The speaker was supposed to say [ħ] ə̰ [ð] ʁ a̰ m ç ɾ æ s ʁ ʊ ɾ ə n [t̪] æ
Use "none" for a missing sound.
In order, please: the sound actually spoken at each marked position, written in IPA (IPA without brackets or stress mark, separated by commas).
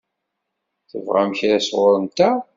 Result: θ, v, t̪